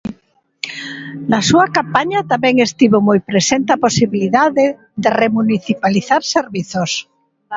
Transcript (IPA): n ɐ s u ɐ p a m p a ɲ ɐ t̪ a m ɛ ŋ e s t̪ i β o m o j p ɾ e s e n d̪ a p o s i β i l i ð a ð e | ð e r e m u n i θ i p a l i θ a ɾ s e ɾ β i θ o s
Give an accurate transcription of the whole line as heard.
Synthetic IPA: n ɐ s u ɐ k a m p a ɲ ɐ t̪ a m ɛ ŋ e s t̪ i β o m o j p ɾ e s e n t̪ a p o s i β i l i ð a ð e | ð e r e m u n i θ i p a l i θ a ɾ s e ɾ β i θ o s